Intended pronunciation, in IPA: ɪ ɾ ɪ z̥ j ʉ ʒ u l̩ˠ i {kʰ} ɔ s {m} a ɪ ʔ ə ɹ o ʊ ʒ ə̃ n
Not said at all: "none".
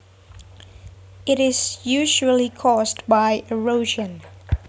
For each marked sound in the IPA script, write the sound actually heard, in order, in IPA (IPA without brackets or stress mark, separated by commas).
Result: kʰ, b